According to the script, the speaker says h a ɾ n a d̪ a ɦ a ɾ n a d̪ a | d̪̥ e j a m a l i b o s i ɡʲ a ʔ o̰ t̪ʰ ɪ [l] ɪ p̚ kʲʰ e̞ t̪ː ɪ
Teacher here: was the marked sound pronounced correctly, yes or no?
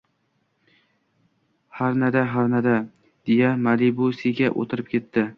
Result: no